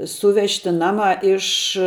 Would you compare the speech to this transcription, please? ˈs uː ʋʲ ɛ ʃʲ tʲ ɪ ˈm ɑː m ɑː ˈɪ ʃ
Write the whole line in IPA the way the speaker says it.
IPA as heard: ˈs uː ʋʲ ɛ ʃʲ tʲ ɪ ˈn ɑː m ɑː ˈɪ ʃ